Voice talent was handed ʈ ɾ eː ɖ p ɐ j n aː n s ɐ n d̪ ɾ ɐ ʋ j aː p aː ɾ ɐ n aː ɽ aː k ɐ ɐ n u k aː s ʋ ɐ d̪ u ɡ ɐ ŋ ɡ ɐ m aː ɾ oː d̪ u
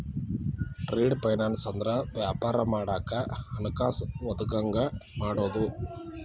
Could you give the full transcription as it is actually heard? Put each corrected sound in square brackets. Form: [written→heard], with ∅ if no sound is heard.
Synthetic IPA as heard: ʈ ɾ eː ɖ p ɐ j n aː n s ɐ n d̪ ɾ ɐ ʋ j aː p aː ɾ ɐ [n→m] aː ɽ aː k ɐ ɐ n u k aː s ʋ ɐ d̪ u ɡ ɐ ŋ ɡ ɐ m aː [ɾ→ɽ] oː d̪ u